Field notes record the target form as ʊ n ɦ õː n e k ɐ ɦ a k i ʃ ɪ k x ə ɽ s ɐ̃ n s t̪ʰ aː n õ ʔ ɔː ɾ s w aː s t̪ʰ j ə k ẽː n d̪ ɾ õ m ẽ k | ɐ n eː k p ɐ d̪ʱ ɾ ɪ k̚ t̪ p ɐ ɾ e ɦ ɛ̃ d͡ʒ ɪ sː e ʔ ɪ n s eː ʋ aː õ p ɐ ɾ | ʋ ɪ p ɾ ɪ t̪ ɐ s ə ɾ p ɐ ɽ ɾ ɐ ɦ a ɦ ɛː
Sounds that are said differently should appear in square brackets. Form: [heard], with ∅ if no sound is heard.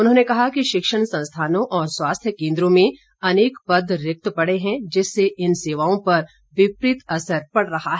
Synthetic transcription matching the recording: ʊ n ɦ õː n e k ɐ ɦ a k i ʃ ɪ k [ʃ] ə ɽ s ɐ̃ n s t̪ʰ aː n õ ʔ ɔː ɾ s w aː s t̪ʰ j ə k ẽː n d̪ ɾ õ m ẽ [∅] | ɐ n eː k p ɐ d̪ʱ ɾ ɪ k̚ t̪ p ɐ [ɽ] e ɦ ɛ̃ d͡ʒ ɪ sː e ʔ ɪ n s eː ʋ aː õ p ɐ ɾ | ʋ ɪ p ɾ ɪ t̪ ɐ s ə ɾ p ɐ ɽ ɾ ɐ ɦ a ɦ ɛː